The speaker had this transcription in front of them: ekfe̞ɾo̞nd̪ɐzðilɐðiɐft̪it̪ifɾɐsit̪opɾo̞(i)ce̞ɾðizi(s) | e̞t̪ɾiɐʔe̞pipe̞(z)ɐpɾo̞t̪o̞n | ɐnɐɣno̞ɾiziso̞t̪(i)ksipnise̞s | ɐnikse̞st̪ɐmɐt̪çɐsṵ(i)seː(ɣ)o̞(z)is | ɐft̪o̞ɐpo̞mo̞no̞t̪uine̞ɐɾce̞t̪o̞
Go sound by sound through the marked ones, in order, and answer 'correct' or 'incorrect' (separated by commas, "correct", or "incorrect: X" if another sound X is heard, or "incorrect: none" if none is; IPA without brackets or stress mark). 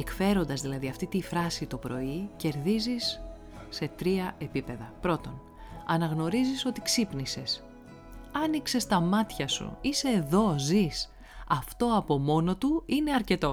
correct, incorrect: sː, incorrect: ð, correct, correct, incorrect: ð, correct